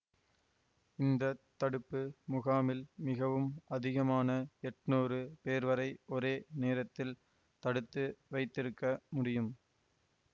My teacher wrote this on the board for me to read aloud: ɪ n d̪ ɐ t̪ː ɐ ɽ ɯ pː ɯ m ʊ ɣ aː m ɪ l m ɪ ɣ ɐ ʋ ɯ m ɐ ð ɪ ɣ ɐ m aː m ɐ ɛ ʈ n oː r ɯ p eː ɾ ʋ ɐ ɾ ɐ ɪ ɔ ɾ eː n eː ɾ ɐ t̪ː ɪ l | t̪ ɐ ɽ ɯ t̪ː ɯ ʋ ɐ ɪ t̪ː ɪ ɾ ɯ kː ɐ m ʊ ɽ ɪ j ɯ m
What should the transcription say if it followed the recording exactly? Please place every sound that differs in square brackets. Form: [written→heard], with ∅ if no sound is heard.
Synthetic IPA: ɪ n d̪ ɐ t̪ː ɐ ɽ ɯ pː ɯ m ʊ ɣ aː m ɪ l m ɪ ɣ ɐ ʋ ɯ m ɐ ð ɪ ɣ ɐ m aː [m→n] ɐ ɛ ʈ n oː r ɯ p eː ɾ ʋ ɐ ɾ ɐ ɪ ɔ ɾ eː n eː ɾ ɐ t̪ː ɪ l | t̪ ɐ ɽ ɯ t̪ː ɯ ʋ ɐ ɪ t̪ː ɪ ɾ ɯ kː ɐ m ʊ ɽ ɪ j ɯ m